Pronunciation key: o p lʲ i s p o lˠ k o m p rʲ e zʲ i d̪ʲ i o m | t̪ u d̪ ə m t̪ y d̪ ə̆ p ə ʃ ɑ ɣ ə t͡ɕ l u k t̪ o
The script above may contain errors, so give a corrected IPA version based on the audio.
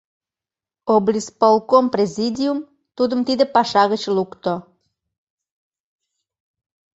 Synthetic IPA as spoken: o b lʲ i s p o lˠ k o m p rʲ e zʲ i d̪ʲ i u m | t̪ u d̪ ə m t̪ i d̪ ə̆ p ɑ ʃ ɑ ɣ ə t͡ɕ l u k t̪ o